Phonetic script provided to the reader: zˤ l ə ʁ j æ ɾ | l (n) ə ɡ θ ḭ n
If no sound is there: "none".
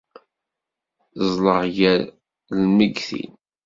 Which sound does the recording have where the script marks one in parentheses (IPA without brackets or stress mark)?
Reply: m